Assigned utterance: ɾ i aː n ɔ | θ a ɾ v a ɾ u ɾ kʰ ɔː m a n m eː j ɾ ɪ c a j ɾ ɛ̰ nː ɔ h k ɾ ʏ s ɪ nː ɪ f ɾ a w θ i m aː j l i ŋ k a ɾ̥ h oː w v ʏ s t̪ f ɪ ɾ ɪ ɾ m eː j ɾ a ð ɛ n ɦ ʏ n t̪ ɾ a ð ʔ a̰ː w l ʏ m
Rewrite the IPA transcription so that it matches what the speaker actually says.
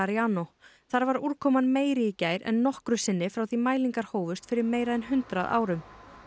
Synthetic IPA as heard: ɾ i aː n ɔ | θ a ɾ v a ɾ u ɾ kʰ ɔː m a n m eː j ɾ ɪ c a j ɾ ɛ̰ nː ɔ h k ɾ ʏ s ɪ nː ɪ f ɾ a w θ i m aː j l i ŋ k a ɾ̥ h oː w v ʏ s t̪ f ɪ ɾ ɪ ɾ m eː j ɾ a ð ɛ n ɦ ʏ n t̪ ɾ a ð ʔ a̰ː w ɾ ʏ m